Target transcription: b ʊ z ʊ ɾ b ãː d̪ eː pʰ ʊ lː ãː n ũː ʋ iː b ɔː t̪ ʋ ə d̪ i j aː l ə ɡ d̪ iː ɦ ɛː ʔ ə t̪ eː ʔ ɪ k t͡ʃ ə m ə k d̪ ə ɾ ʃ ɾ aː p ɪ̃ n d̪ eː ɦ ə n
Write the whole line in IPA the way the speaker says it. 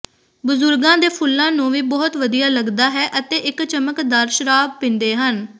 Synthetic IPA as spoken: b ʊ z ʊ ɾ ɡ ãː d̪ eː pʰ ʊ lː ãː n ũː ʋ iː b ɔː t̪ ʋ ə d̪ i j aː l ə ɡ d̪ aː ɦ ɛː ʔ ə t̪ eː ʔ ɪ k t͡ʃ ə m ə k d̪ ə ɾ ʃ ɾ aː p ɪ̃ n d̪ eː ɦ ə n